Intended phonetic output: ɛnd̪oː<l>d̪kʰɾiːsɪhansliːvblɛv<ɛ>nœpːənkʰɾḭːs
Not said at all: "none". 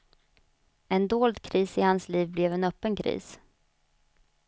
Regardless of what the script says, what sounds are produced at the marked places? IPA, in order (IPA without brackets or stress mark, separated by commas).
l, ɛ